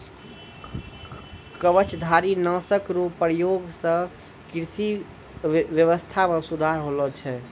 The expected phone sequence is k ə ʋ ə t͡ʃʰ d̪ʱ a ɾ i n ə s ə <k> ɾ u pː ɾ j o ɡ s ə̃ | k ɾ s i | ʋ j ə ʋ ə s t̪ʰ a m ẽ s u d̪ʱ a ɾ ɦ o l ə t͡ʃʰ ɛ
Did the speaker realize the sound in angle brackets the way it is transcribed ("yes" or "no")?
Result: yes